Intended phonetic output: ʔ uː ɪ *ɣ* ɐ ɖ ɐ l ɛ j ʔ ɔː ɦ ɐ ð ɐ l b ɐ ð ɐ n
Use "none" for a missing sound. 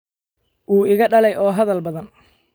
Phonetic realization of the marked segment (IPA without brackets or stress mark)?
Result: ɣ